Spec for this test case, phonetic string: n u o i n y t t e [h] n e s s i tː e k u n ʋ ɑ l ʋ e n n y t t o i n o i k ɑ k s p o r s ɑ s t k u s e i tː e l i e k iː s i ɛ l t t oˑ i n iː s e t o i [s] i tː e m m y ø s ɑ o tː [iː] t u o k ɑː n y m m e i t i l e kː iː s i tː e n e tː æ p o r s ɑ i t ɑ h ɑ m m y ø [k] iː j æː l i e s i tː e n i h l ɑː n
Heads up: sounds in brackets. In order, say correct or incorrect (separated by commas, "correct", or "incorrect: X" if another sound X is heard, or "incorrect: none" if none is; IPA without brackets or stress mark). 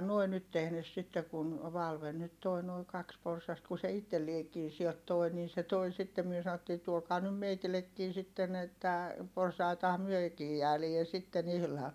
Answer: correct, correct, correct, correct